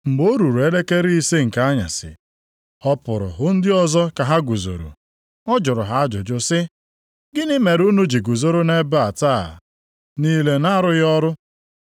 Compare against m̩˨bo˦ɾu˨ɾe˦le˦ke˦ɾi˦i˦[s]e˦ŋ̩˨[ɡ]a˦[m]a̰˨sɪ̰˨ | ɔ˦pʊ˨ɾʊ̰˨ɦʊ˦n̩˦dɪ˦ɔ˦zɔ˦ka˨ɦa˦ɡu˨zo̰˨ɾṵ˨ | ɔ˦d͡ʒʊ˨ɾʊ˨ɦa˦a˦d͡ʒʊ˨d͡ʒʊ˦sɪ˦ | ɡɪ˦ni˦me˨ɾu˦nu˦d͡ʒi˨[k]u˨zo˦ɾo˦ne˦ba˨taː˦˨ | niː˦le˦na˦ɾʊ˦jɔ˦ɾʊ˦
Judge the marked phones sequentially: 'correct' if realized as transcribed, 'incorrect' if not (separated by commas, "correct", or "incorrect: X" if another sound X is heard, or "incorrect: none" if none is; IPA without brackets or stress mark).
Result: correct, incorrect: k, incorrect: ɲ, incorrect: ɡ